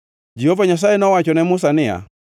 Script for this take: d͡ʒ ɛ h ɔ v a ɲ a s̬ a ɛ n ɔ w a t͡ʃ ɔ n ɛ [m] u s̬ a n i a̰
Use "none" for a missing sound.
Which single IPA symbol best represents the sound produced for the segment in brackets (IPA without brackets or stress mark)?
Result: m